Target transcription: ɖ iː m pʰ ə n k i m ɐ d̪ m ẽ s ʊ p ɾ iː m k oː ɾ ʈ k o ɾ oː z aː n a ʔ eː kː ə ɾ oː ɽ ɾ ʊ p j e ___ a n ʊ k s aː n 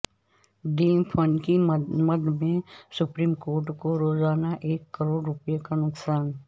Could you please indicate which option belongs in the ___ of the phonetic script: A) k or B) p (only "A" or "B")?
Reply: A